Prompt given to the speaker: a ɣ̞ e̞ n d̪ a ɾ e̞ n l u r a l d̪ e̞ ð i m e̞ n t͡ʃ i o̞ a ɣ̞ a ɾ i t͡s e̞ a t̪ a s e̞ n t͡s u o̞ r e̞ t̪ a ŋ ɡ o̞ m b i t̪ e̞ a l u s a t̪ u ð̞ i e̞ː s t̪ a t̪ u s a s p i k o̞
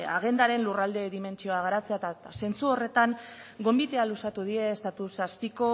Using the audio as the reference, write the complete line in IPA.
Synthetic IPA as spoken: a ɣ̞ e̞ n d̪ a ɾ e̞ n l u r a l d̪ e̞ ð i m e̞ n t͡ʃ i o̞ a ɣ̞ a ɾ a t͡s e̞ a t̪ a s e̞ n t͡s u o̞ r e̞ t̪ a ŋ ɡ o̞ m b i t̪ e̞ a l u s a t̪ u ð̞ i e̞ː s t̪ a t̪ u s a s p i k o̞